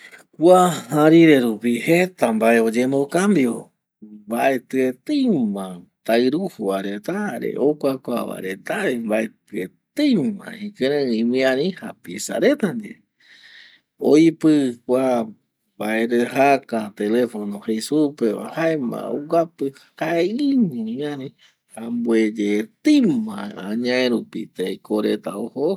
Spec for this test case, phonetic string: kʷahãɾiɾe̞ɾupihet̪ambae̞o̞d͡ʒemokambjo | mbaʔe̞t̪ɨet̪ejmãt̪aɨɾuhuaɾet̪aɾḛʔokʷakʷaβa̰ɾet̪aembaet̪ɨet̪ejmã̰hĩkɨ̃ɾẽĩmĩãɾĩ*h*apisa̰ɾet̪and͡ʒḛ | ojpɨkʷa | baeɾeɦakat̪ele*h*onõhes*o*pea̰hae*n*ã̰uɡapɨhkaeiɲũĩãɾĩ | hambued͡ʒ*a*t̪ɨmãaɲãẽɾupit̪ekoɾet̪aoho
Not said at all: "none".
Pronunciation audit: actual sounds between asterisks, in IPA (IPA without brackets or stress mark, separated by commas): h, f, u, m, e